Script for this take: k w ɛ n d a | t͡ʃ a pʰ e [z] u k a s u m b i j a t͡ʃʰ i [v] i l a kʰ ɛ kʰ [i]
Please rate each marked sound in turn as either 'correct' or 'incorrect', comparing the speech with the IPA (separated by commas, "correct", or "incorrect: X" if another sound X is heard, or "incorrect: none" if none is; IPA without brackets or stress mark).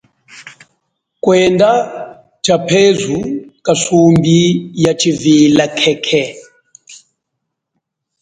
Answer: correct, correct, incorrect: ɛ